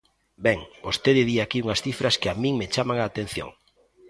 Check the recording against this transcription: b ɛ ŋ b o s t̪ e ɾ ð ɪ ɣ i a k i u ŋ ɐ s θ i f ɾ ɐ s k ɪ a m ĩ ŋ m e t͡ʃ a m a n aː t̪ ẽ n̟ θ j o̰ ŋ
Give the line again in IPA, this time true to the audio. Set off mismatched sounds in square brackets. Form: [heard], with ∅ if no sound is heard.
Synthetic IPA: b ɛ ŋ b o s t̪ e [∅] ð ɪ [ð] i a k i u ŋ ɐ s θ i f ɾ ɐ s k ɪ a m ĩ ŋ m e t͡ʃ a m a [ŋ] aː t̪ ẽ n̟ θ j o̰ ŋ